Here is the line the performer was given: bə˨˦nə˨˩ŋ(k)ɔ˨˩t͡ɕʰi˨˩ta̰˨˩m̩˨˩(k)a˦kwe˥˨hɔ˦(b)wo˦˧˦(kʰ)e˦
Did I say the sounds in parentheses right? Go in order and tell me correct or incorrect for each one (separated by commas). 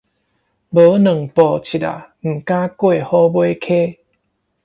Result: incorrect, correct, correct, correct